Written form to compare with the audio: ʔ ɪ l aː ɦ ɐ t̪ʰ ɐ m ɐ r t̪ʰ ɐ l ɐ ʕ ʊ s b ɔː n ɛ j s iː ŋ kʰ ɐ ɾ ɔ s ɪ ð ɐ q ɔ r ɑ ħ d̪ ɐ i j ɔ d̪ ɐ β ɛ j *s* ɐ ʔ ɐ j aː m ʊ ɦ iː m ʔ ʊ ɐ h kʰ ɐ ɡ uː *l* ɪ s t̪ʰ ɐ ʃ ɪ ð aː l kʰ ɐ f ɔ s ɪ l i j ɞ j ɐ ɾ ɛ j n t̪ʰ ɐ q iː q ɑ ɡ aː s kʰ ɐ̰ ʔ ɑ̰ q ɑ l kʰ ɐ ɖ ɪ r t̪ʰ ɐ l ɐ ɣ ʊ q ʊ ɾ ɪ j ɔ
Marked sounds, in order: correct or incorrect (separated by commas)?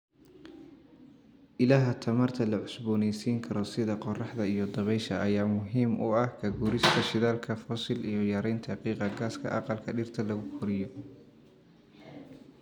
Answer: incorrect, incorrect